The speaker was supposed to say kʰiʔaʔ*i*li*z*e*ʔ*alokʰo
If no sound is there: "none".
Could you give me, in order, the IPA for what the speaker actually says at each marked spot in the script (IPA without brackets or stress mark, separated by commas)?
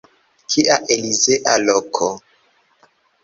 e, z, ʔ